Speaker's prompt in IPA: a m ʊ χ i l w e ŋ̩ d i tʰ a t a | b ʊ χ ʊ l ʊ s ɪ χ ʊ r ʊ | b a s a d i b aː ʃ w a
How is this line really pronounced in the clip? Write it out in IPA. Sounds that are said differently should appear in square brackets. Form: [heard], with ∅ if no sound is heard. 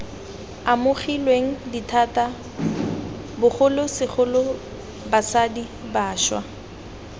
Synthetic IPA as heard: a m ʊ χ i l w e ŋ̩ d i tʰ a t a | b ʊ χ ʊ l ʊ s ɪ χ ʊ [l] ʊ | b a s a d i b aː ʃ w a